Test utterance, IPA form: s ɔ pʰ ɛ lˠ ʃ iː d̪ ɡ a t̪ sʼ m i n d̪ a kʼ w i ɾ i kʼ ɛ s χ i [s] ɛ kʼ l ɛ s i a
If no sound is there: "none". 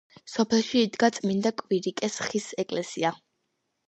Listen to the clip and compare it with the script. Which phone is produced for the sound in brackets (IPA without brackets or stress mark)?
s